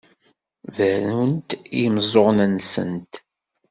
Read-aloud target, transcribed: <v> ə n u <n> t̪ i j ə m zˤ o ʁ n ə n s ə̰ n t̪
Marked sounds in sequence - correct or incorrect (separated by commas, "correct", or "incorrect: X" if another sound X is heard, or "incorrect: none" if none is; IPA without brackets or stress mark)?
correct, correct